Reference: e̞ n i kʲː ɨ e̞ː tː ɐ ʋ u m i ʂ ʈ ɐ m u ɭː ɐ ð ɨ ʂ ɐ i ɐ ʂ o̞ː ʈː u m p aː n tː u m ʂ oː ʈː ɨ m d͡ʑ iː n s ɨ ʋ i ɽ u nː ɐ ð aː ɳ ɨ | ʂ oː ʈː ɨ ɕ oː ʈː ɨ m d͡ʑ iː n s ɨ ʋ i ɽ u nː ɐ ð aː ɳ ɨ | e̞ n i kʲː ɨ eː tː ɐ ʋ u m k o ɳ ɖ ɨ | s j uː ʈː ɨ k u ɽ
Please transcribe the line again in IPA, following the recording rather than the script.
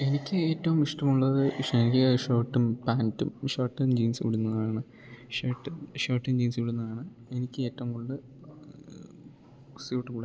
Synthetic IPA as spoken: e̞ n i kʲː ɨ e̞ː tː ɐ ʋ u m i ʂ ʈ ɐ m u ɭː ɐ ð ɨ ʂ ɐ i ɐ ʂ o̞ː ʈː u m p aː n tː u m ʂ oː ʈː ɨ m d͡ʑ iː n s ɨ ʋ i ɽ u nː ɐ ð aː ɳ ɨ | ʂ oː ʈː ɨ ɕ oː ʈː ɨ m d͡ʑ iː n s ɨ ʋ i ɽ u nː ɐ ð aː ɳ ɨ | e̞ n i kʲː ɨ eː tː ɐ ʋ u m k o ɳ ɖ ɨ | s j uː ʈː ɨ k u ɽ